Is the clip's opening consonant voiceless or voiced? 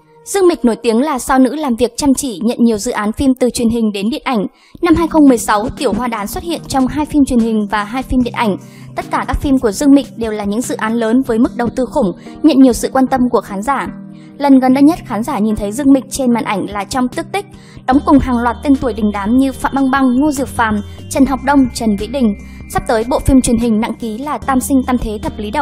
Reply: voiced